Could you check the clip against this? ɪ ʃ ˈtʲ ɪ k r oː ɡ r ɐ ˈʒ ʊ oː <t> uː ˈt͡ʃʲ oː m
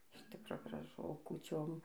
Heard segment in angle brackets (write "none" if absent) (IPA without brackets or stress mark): k